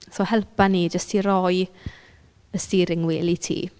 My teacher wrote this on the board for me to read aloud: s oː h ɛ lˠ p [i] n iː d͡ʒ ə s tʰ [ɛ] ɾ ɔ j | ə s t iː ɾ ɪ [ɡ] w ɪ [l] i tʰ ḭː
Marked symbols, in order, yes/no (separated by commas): no, no, no, yes